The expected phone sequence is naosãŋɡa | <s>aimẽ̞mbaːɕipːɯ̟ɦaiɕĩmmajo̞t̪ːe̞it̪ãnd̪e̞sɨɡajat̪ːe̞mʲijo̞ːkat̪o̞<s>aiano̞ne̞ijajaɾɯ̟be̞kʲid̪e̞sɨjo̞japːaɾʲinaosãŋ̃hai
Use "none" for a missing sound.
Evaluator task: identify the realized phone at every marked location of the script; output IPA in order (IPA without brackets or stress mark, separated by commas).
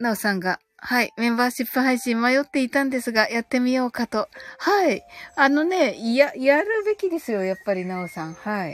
h, h